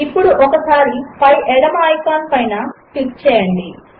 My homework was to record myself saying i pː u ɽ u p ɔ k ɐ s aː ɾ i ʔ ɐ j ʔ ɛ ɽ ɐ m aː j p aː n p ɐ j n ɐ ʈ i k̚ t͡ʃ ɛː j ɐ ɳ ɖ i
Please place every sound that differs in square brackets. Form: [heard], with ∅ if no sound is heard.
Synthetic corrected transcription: i pː u ɽ u [ʔ] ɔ k ɐ s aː ɾ i [p] ɐ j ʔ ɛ ɽ ɐ m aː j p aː n p ɐ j n ɐ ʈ i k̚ t͡ʃ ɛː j ɐ ɳ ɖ i